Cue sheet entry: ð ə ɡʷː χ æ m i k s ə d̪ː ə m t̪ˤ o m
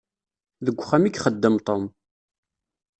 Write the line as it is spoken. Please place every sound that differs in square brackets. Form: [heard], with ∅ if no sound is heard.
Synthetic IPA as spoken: ð ə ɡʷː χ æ m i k [χ] ə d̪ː ə m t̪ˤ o m